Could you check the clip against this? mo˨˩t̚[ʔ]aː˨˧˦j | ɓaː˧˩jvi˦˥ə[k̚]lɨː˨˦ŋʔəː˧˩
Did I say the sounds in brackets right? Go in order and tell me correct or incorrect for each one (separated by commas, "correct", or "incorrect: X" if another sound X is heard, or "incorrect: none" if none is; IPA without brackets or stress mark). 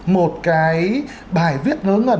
incorrect: k, incorrect: t̚